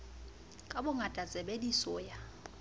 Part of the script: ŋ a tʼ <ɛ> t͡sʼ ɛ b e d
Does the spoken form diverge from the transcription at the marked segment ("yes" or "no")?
yes